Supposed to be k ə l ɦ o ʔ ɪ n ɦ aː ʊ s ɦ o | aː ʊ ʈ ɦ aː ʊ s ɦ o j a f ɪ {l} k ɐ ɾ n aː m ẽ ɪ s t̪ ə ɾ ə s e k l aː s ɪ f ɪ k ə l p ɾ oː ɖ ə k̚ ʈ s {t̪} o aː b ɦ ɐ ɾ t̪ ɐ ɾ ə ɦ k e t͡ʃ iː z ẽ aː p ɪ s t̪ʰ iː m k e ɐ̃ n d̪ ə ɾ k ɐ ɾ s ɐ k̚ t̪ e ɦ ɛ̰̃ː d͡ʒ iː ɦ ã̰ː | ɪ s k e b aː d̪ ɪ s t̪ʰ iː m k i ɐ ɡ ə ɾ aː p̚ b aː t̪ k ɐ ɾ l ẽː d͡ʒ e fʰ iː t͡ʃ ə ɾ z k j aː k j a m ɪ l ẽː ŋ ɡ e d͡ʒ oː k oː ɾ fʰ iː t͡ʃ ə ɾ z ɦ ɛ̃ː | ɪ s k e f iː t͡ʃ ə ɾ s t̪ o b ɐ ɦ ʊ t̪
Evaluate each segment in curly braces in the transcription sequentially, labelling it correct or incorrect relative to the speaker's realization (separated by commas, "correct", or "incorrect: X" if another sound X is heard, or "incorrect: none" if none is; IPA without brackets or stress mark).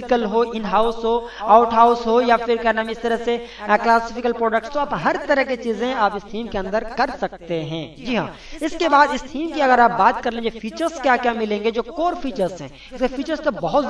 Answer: incorrect: ɾ, correct